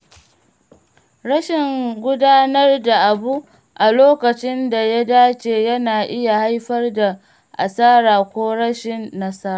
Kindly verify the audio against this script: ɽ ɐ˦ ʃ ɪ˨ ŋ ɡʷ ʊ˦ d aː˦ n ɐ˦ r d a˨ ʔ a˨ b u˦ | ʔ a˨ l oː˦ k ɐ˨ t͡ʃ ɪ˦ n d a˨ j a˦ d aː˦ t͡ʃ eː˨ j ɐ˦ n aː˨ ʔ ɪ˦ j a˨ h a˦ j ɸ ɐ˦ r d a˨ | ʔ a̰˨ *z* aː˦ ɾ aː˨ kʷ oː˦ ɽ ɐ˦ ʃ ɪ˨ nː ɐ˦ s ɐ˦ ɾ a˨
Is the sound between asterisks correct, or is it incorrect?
incorrect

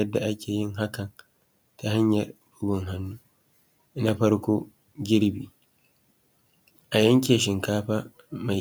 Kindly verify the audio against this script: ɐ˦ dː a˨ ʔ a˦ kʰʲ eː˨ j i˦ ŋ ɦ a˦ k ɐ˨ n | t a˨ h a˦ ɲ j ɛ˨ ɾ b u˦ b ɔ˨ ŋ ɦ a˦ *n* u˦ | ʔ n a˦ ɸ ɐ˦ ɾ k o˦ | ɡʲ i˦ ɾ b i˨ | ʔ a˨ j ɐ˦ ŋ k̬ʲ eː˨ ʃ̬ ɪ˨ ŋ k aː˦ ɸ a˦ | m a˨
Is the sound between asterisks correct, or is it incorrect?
incorrect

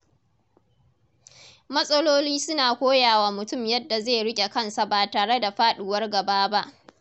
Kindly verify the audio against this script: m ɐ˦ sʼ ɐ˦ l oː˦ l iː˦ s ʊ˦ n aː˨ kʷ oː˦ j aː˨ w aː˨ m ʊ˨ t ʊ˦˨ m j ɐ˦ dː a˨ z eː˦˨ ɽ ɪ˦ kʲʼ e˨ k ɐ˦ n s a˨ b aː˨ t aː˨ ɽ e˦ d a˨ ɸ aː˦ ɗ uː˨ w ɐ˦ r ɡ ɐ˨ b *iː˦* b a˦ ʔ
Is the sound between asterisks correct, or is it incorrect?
incorrect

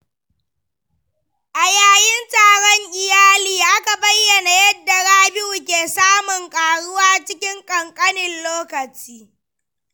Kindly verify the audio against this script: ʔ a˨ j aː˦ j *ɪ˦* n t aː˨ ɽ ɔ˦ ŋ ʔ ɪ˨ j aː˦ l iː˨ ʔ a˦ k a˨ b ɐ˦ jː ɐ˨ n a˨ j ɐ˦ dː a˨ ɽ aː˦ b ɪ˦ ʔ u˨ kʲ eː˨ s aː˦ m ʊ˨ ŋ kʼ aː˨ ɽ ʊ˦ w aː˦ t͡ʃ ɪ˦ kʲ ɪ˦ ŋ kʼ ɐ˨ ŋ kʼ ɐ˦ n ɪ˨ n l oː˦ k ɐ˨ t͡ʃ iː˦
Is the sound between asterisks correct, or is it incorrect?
correct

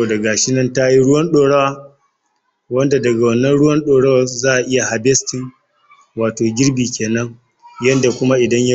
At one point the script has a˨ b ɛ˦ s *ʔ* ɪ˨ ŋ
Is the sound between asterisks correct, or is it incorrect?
incorrect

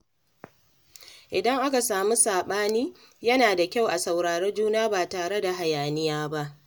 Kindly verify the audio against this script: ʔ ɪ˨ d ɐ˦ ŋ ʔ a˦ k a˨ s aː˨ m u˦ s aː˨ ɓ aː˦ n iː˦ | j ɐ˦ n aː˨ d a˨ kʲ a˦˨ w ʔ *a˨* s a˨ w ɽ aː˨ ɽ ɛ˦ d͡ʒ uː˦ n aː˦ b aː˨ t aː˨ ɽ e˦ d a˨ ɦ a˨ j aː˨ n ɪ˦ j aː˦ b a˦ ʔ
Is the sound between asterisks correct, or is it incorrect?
correct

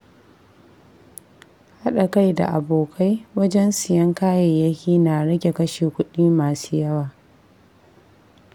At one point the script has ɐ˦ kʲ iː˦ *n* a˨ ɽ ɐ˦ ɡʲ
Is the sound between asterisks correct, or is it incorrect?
correct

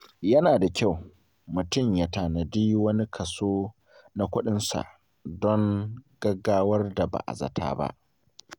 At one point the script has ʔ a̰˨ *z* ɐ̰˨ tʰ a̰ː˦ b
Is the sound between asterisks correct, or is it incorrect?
correct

